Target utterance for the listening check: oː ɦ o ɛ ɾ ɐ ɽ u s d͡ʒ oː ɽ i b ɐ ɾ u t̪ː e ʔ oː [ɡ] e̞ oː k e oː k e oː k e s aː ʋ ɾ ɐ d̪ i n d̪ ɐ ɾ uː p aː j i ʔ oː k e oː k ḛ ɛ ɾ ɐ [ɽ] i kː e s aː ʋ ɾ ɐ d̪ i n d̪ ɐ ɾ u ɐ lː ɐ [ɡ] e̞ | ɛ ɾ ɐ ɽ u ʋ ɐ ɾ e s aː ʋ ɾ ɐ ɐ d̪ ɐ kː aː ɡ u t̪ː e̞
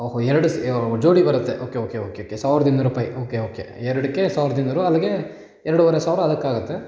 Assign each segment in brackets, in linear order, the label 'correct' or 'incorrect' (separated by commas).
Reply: incorrect, correct, correct